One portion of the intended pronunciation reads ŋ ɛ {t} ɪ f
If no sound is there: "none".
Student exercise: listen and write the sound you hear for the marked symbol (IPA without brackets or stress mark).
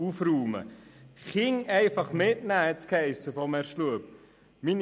none